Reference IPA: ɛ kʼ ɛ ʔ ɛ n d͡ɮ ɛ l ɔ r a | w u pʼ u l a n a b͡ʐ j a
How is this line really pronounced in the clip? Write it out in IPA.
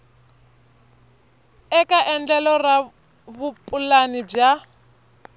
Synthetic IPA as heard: ɛ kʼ a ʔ ɛ n d͡ɮ ɛ l ɔ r a | β u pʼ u l a n i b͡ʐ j a